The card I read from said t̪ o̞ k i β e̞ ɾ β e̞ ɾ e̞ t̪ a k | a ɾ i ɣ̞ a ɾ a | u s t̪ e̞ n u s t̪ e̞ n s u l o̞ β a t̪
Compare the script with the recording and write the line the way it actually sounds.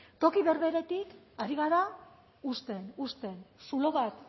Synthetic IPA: t̪ o̞ k i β e̞ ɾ β e̞ ɾ e̞ t̪ i k | a ɾ i ɣ̞ a ɾ a | u s t̪ e̞ n u s t̪ e̞ n s u l o̞ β a t̪